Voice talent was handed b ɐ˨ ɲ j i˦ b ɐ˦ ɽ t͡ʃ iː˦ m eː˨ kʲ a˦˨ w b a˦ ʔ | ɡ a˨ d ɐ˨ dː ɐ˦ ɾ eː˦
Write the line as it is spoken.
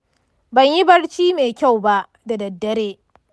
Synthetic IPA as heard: b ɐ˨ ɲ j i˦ b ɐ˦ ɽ t͡ʃ iː˦ m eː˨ kʲ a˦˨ w b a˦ ʔ | d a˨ d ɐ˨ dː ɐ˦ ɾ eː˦